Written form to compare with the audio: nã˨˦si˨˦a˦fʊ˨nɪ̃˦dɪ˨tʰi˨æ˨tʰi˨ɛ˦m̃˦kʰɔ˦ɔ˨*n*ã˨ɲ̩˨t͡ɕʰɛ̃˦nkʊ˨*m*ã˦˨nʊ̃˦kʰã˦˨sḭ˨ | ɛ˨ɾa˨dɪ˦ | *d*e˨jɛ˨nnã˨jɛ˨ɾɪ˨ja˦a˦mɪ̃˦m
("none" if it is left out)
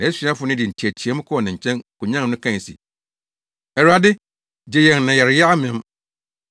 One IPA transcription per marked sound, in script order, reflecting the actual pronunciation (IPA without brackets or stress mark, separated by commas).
n, ɲ, d͡ʑ